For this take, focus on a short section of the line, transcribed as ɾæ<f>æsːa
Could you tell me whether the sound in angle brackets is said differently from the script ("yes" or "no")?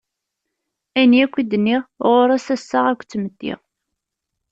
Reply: yes